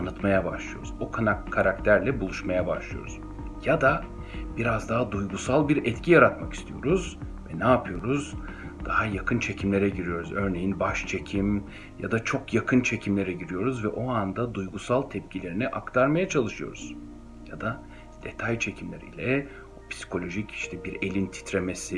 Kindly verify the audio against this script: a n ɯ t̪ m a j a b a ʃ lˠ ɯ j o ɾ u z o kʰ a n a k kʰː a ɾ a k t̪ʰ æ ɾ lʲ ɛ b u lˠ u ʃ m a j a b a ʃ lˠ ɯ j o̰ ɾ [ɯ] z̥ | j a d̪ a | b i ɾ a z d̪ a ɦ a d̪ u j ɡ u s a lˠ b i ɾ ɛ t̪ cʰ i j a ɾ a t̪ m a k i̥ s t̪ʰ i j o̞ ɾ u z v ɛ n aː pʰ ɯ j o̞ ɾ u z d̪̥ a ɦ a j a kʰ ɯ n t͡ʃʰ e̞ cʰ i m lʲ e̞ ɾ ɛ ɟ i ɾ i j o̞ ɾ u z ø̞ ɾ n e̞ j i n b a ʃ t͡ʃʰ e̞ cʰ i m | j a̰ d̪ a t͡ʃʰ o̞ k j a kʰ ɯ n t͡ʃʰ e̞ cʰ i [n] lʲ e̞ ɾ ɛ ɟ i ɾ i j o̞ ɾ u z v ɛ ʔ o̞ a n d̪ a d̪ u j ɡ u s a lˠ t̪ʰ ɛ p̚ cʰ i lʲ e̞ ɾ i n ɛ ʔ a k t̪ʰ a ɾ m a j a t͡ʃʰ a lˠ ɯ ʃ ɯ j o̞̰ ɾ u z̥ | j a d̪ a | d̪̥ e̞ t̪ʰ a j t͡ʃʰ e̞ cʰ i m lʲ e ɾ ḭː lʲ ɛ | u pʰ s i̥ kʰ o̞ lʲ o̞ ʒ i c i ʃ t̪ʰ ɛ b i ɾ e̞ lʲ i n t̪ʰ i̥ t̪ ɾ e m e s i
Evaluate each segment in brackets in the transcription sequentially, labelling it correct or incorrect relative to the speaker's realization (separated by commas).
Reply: incorrect, incorrect